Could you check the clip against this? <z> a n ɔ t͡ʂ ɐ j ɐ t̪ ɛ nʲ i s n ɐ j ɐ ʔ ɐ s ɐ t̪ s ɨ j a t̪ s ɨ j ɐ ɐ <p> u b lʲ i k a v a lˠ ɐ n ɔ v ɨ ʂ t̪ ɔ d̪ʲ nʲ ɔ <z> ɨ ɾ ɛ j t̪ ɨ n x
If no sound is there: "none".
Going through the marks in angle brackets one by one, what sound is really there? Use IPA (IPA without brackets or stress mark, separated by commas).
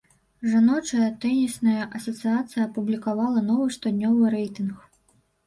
ʐ, p, v